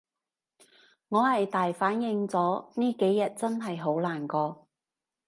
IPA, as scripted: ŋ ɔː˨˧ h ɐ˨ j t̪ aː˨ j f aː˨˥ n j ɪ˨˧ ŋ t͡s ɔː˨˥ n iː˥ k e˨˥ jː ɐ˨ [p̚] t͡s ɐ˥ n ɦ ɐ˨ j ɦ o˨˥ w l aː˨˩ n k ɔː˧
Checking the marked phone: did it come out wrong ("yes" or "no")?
yes